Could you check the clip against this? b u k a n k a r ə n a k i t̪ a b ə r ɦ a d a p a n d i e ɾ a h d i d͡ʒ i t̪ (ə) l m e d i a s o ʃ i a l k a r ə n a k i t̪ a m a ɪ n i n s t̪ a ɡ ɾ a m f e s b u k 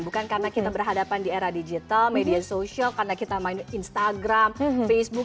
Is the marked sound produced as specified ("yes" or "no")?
no